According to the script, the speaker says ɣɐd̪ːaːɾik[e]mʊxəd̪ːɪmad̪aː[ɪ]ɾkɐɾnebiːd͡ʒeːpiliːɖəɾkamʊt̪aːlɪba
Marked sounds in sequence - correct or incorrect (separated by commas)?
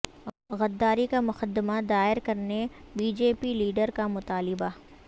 incorrect, correct